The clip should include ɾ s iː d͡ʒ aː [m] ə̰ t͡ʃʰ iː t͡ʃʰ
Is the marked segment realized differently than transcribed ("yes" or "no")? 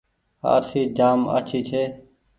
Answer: no